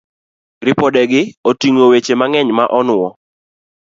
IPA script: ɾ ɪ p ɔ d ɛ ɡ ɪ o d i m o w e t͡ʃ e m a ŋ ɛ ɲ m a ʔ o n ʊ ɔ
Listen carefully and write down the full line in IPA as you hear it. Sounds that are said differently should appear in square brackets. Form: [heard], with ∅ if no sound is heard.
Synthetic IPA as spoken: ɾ ɪ p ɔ d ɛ ɡ ɪ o [t] i [ŋ] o w e t͡ʃ e m a ŋ ɛ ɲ m a ʔ [ɔ] n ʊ ɔ